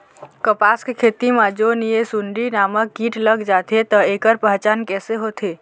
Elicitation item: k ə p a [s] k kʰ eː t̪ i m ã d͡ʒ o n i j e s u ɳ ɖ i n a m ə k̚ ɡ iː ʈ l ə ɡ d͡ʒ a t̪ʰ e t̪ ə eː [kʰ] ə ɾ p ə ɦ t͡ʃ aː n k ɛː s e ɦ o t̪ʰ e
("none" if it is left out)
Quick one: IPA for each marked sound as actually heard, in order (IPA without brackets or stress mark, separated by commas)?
s, k